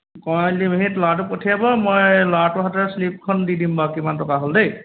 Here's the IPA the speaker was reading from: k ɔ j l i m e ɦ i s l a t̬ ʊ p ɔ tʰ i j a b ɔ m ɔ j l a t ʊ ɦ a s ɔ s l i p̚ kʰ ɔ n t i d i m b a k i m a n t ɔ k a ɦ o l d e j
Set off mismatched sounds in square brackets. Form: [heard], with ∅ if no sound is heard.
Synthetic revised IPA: k ɔ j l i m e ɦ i [t] l a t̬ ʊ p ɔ tʰ i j a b ɔ m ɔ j l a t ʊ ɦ a [t] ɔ s l i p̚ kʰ ɔ n [d] i d i m b a k i m a n t ɔ k a ɦ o l d e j